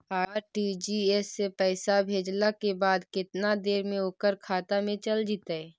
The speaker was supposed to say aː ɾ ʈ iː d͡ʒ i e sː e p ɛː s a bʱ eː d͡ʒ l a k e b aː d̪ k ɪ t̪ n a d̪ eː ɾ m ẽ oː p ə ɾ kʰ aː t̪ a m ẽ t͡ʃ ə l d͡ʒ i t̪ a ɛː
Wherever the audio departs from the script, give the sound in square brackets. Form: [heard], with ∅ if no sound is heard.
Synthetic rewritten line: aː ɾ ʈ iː d͡ʒ i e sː e p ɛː s a bʱ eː d͡ʒ l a k e b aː d̪ k ɪ t̪ n a d̪ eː ɾ m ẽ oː [k] ə ɾ kʰ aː t̪ a m ẽ t͡ʃ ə l d͡ʒ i t̪ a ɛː